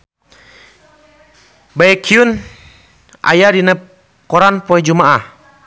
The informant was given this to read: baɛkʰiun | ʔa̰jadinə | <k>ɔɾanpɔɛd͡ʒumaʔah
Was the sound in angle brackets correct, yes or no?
yes